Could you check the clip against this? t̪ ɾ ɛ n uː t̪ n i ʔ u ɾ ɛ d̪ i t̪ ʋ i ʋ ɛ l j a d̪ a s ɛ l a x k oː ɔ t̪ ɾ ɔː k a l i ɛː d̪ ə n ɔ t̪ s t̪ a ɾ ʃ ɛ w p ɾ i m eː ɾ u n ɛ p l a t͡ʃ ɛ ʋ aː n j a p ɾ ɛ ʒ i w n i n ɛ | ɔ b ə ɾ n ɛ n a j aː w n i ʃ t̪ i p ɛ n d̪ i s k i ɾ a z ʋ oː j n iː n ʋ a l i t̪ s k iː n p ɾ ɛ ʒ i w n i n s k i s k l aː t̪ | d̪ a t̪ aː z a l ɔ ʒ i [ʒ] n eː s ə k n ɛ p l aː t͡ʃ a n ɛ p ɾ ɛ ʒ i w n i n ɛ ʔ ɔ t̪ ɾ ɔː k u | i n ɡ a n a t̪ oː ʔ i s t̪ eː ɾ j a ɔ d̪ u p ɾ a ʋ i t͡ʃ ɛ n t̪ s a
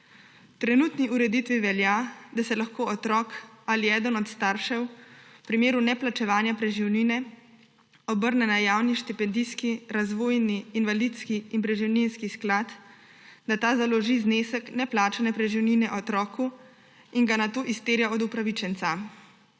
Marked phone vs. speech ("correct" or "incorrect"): incorrect